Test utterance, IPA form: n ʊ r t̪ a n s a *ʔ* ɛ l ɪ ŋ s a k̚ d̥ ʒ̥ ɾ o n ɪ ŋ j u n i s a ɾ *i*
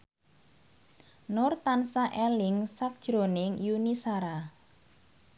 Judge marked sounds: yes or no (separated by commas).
yes, no